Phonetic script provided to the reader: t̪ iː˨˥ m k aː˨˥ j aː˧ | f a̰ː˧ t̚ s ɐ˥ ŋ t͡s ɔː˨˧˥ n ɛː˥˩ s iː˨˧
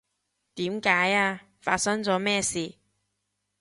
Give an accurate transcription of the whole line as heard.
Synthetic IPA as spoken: t̪ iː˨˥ m k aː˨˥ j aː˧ | f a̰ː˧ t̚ s ɐ˥ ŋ t͡s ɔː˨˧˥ m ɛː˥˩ s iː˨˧